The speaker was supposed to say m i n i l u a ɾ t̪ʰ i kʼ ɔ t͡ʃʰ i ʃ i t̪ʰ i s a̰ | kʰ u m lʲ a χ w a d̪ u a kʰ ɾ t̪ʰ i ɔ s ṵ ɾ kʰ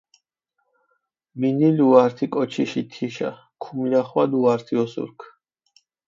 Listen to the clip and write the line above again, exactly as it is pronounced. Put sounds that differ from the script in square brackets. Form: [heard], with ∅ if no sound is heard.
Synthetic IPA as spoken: m i n i l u a ɾ t̪ʰ i kʼ ɔ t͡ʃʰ i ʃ i t̪ʰ i [ʃ] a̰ | kʰ u m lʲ a χ w a d̪ u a [∅] ɾ t̪ʰ i ɔ s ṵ ɾ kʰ